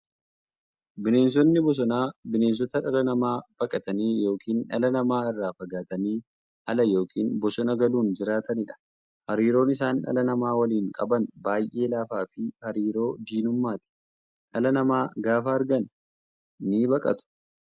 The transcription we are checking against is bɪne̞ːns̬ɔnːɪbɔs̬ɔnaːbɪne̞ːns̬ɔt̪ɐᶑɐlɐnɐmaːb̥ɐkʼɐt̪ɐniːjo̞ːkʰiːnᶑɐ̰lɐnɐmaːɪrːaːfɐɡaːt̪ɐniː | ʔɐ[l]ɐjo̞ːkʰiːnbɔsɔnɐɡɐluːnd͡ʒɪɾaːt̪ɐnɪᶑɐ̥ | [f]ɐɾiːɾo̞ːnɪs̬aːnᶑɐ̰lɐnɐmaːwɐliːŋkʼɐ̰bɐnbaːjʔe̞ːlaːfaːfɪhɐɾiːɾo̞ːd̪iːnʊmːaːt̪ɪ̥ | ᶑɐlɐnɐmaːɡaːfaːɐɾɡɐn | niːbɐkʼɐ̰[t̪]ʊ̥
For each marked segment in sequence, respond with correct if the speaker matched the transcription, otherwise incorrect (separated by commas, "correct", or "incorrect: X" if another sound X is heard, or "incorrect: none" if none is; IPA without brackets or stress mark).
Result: correct, incorrect: h, correct